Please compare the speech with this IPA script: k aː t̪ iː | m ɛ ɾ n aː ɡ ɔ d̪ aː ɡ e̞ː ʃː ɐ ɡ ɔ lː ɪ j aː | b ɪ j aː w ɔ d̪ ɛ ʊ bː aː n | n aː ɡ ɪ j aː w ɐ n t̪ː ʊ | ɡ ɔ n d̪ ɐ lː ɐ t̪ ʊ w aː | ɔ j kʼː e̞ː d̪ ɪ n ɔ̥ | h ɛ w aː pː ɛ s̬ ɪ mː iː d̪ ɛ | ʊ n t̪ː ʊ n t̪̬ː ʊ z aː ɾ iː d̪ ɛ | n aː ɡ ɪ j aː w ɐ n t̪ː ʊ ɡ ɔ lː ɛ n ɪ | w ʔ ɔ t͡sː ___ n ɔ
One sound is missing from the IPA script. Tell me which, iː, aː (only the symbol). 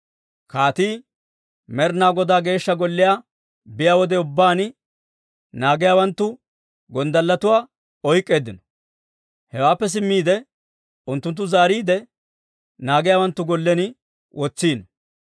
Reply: iː